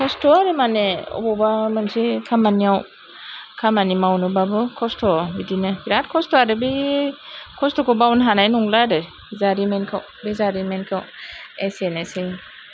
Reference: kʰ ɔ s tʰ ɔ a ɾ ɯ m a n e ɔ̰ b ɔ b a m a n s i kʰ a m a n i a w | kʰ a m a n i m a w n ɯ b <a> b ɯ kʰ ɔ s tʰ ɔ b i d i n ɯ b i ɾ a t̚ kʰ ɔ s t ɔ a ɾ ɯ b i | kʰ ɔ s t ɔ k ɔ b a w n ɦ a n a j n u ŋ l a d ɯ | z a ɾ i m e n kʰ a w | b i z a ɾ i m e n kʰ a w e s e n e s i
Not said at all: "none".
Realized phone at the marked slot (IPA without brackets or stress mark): a